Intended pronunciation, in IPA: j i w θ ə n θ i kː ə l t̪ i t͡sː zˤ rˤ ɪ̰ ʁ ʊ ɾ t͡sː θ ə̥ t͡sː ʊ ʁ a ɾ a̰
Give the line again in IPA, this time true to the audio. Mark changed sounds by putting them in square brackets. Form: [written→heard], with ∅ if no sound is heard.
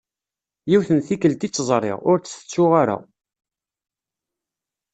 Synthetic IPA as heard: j i w θ ə n θ i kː ə l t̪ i t͡sː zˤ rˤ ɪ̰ ʁ ʊ ɾ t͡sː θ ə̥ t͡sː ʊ ʁ a ɾ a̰